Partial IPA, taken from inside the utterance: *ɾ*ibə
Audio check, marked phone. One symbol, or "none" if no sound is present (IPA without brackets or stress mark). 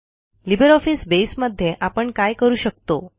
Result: l